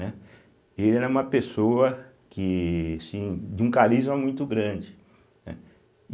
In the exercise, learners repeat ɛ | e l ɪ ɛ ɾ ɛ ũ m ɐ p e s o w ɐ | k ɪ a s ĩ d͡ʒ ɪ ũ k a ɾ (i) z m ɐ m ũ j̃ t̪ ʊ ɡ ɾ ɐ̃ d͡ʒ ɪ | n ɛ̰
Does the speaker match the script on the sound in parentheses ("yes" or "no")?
yes